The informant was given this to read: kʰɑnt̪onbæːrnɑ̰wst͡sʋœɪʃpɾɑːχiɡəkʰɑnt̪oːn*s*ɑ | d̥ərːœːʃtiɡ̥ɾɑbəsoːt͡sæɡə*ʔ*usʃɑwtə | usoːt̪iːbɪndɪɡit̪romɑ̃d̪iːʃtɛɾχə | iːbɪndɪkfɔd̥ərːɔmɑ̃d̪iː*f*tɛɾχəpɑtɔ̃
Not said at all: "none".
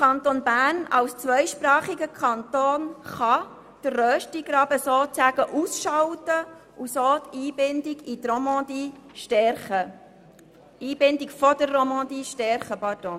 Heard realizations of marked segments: χ, ʔ, ʃ

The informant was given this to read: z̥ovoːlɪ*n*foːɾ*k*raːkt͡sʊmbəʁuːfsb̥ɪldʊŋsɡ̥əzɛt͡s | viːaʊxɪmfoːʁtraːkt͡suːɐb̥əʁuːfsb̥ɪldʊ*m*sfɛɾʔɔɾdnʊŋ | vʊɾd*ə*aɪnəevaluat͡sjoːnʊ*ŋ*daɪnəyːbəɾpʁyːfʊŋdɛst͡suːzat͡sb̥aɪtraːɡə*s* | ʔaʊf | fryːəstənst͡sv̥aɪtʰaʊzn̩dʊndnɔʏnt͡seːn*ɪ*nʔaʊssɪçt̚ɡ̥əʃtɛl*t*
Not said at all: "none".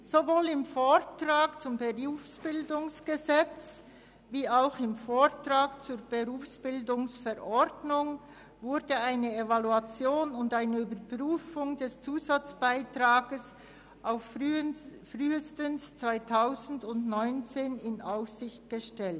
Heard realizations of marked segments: m, t, ŋ, ə, n, s, ɪ, t

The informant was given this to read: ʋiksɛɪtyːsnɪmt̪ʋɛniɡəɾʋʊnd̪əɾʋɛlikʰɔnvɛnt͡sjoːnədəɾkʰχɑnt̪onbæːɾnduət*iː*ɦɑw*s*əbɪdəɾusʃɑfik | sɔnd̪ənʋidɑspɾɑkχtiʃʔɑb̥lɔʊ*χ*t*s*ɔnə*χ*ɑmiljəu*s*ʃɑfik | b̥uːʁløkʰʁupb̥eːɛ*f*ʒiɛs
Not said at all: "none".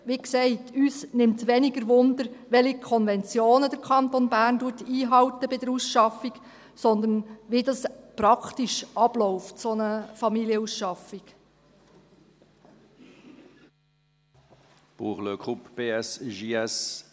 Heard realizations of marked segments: iː, t, f, s, f, s, s

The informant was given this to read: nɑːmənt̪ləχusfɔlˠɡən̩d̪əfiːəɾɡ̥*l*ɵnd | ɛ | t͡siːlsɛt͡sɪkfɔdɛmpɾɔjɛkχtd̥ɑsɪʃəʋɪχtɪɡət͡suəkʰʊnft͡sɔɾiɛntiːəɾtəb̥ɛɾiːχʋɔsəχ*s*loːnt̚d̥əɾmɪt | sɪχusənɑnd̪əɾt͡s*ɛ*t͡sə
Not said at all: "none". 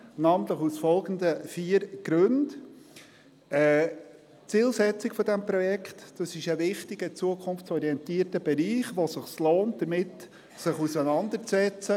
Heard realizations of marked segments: ɾ, s, ɛ

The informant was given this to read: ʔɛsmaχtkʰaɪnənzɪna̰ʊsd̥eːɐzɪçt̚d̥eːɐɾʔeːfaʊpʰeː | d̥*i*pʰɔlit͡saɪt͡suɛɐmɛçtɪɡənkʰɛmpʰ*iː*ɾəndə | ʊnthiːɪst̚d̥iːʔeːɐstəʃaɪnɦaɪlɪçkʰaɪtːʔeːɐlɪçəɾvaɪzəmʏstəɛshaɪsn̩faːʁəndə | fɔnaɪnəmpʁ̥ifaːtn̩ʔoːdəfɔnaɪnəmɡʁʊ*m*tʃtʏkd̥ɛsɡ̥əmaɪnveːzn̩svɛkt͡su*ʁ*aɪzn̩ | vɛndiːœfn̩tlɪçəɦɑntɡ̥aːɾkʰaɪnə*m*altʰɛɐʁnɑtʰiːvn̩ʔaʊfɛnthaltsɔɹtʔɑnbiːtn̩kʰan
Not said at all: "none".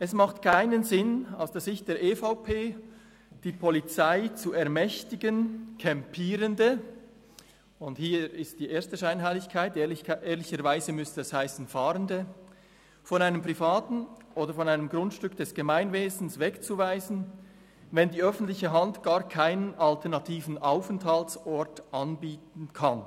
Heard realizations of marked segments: iː, iː, n, v, n

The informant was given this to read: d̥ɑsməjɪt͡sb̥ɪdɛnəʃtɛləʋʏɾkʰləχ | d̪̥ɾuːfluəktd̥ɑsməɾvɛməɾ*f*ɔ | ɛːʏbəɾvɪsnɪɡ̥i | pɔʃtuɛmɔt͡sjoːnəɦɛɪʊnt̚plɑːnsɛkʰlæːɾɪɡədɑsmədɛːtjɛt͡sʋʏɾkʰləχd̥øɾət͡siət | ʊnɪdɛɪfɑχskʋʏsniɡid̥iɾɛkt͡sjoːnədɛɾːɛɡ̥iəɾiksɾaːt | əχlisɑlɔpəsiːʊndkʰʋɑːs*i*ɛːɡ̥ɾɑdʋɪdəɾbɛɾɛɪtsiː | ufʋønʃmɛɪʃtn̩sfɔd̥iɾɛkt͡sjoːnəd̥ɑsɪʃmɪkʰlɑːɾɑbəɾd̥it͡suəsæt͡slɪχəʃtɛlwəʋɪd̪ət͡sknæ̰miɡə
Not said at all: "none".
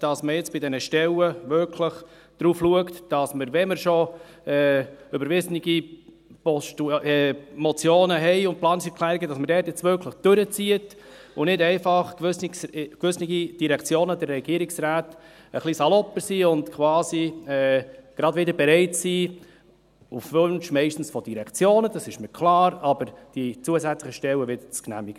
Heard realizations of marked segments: ʃ, i

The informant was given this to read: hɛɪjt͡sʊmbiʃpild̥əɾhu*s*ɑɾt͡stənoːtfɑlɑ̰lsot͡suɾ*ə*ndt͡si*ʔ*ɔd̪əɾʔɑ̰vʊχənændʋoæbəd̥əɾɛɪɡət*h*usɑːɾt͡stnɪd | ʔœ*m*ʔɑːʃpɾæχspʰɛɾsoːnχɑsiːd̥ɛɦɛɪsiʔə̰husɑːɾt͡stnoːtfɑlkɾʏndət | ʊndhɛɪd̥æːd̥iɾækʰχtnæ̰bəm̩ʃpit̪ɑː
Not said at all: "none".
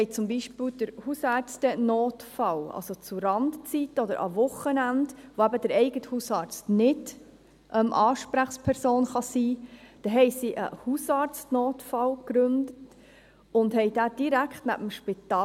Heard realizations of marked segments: s, ɑ, t, h, m

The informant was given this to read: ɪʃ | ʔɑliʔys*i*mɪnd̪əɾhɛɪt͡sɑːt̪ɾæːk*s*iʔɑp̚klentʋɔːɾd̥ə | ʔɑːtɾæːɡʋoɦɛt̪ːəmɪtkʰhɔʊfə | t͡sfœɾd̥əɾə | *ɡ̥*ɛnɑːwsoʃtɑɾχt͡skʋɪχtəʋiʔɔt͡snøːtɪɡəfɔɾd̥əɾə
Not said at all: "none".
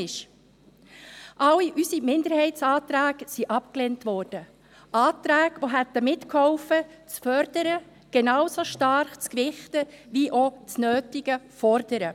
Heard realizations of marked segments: i, s, ɡ̥

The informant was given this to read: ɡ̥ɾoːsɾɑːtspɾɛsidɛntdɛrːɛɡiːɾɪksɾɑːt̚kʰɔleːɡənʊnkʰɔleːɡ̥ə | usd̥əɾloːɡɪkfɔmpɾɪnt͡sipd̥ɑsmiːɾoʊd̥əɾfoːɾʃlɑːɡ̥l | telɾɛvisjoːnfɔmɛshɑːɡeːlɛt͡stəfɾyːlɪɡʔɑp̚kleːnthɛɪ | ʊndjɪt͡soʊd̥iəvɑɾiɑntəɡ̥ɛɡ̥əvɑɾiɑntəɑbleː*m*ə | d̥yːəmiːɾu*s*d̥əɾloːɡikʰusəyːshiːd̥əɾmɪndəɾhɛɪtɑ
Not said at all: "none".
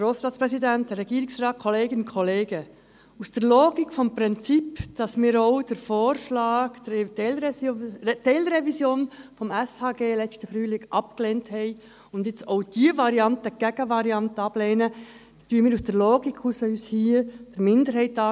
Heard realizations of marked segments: n, s

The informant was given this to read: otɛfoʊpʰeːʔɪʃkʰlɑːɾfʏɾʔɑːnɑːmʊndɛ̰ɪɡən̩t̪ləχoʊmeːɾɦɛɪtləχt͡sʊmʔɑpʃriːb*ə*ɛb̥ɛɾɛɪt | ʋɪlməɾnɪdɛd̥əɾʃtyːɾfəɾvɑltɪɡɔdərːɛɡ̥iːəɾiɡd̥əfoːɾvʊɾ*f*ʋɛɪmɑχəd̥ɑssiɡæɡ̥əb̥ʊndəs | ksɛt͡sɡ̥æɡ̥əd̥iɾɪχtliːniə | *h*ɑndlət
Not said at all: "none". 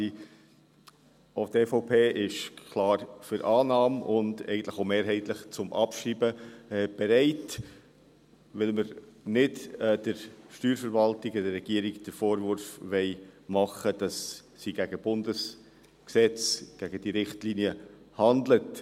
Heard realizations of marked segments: ə, f, h

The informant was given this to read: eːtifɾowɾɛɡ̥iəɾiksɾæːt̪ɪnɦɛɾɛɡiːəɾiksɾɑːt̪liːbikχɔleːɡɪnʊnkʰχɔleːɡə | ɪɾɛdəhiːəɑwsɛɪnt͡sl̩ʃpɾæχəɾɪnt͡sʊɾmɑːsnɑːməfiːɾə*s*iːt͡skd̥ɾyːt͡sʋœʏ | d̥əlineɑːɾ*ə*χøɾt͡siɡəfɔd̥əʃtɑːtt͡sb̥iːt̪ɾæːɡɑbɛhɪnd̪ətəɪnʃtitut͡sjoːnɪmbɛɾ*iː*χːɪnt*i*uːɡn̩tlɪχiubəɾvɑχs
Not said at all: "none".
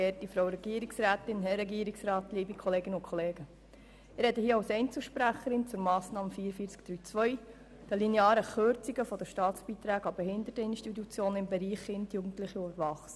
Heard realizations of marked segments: f, ə, iː, j

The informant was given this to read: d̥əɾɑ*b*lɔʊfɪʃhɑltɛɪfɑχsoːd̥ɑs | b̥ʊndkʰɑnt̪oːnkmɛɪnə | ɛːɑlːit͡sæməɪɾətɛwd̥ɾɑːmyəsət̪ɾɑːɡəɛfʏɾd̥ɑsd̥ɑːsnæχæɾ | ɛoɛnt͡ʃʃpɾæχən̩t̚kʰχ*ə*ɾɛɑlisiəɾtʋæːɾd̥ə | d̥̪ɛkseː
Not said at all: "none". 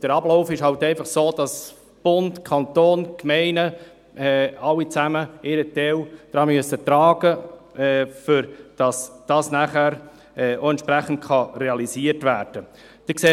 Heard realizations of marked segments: b, ɑ

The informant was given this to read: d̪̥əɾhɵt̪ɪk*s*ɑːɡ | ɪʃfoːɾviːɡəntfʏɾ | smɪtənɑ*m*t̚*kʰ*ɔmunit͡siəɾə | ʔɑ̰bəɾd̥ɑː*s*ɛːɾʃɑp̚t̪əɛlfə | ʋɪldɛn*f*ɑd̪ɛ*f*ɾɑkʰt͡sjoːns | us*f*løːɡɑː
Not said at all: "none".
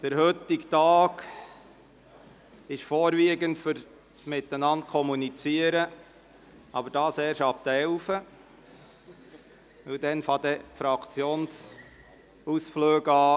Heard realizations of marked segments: t, n, kʰ, s, f, f, f

